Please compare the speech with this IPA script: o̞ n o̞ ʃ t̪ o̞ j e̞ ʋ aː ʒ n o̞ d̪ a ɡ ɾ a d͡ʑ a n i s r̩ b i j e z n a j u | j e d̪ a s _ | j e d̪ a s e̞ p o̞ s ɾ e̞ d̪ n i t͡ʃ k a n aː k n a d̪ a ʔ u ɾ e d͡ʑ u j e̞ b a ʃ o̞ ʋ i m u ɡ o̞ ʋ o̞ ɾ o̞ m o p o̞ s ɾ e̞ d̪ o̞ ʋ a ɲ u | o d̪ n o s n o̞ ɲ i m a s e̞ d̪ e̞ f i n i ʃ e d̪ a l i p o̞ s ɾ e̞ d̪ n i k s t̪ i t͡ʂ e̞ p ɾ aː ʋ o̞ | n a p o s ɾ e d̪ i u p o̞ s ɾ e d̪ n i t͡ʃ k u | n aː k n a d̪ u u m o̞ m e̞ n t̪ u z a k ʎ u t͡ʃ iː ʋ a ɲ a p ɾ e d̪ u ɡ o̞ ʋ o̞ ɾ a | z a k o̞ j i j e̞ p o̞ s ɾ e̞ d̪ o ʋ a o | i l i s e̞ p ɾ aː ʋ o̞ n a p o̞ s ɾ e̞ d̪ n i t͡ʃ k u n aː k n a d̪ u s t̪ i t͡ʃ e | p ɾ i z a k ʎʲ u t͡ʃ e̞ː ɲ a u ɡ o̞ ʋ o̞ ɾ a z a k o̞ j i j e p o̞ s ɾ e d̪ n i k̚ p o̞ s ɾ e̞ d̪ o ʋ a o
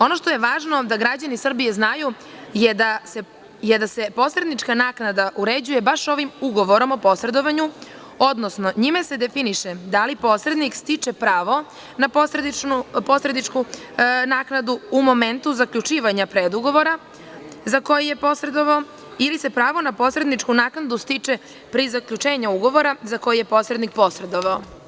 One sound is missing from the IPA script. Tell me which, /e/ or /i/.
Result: e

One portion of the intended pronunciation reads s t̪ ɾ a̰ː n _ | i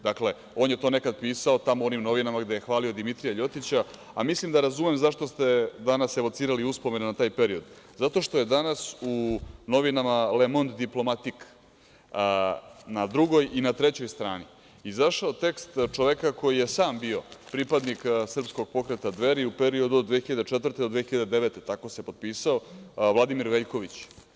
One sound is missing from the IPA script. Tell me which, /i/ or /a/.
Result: i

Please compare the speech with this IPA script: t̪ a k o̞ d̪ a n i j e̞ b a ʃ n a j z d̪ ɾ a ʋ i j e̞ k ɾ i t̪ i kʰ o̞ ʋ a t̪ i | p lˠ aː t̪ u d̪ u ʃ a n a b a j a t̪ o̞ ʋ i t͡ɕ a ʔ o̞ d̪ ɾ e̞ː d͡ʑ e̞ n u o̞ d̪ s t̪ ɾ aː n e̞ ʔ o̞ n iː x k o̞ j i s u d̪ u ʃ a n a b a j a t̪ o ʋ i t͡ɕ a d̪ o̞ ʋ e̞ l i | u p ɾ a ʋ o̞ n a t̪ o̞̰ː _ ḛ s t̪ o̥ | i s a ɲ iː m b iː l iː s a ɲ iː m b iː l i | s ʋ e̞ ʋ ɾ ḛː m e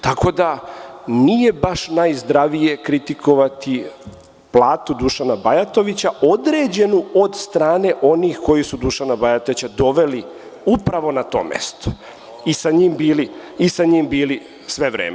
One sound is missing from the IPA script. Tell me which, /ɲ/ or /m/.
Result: m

